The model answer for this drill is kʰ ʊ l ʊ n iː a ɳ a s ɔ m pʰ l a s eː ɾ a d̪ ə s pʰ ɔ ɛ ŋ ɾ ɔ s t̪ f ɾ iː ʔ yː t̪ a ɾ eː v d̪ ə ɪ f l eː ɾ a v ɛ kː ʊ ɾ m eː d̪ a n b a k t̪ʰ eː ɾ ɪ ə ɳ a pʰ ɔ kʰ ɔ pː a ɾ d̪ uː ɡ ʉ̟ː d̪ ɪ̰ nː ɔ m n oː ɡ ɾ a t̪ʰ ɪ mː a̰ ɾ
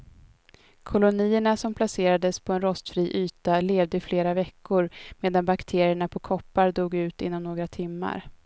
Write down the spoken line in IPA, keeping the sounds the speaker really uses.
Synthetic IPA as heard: kʰ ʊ l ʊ n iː ə ɳ a s ɔ m pʰ l a s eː ɾ a d̪ ə s pʰ ɔ ɛ n ɾ ɔ s t̪ f ɾ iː ʔ yː t̪ a l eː v d̪ ə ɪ f l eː ɾ a v ɛ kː ʊ ɾ m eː d̪ a n b a k t̪ʰ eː ɾ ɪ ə ɳ a pʰ ɔ kʰ ɔ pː a ɾ d̪ uː ɡ ʉ̟ː t̪ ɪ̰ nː ɔ m n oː ɡ ɾ a t̪ʰ ɪ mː a̰ ɾ